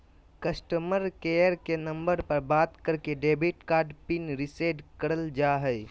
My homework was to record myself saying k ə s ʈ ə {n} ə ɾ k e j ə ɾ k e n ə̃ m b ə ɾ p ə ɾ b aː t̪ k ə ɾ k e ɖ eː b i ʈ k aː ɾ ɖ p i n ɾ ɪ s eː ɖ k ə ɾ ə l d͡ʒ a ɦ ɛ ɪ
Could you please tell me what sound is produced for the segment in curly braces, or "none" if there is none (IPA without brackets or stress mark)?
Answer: m